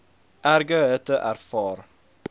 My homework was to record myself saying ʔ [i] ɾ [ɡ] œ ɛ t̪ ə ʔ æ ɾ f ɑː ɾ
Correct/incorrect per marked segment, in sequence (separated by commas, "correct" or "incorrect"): incorrect, correct